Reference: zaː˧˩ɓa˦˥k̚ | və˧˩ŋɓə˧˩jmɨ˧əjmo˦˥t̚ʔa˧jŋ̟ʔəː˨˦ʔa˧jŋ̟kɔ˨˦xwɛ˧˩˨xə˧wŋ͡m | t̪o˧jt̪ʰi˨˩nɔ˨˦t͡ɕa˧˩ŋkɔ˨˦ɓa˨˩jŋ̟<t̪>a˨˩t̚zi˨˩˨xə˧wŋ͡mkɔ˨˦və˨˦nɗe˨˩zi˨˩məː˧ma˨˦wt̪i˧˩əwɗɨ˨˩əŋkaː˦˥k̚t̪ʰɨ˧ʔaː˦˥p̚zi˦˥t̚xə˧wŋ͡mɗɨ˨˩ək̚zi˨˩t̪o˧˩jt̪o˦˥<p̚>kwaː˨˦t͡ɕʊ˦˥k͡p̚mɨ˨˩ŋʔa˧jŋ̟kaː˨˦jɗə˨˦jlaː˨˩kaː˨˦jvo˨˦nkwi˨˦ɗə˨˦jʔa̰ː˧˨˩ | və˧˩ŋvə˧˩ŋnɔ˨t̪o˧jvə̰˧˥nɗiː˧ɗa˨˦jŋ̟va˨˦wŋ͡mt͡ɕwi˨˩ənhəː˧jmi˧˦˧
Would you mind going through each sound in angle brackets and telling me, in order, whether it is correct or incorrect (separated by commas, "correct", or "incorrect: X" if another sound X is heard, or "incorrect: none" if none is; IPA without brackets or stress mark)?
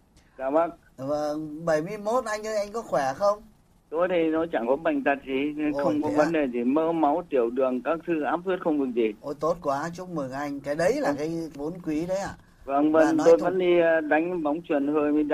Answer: correct, incorrect: t̚